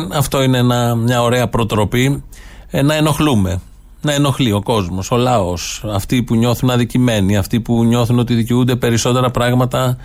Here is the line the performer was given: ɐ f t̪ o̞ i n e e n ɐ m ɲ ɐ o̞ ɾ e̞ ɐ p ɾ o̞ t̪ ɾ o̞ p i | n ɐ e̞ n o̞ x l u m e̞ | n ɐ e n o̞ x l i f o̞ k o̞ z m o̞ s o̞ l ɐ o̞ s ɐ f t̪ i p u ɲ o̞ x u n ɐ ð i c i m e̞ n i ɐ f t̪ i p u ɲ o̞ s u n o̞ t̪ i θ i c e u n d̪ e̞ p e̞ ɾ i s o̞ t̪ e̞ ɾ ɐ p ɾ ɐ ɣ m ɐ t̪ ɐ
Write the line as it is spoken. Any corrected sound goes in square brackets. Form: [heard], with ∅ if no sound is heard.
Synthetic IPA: ɐ f t̪ o̞ i n e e n ɐ m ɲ ɐ o̞ ɾ e̞ ɐ p ɾ o̞ t̪ ɾ o̞ p i | n ɐ e̞ n o̞ x l u m e̞ | n ɐ e n o̞ x l i [∅] o̞ k o̞ z m o̞ s o̞ l ɐ o̞ s ɐ f t̪ i p u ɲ o̞ [θ] u n ɐ ð i c i m e̞ n i ɐ f t̪ i p u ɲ o̞ [θ] u n o̞ t̪ i [ð] i c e u n d̪ e̞ p e̞ ɾ i s o̞ t̪ e̞ ɾ ɐ p ɾ ɐ ɣ m ɐ t̪ ɐ